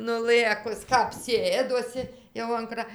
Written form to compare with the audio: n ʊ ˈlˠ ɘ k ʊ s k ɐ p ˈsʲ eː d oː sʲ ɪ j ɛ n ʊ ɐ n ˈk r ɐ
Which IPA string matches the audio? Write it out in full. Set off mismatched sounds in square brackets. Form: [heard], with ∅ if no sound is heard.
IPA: n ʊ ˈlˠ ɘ k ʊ s k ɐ p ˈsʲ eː d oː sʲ ɪ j ɛ [∅] ʊ ɐ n ˈk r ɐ